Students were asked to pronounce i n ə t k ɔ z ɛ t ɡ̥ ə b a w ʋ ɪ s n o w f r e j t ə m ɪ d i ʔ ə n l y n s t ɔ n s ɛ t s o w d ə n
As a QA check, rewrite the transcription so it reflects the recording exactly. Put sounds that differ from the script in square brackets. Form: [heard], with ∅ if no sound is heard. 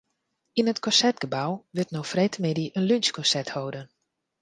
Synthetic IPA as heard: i n ə t k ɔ [s] ɛ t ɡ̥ ə b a w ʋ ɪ [t] n o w f r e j t ə m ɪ d i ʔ ə n l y n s [k] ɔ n s ɛ t [h] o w d ə n